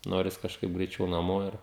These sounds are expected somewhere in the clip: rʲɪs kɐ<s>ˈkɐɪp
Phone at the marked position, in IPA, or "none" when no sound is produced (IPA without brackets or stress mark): ʃ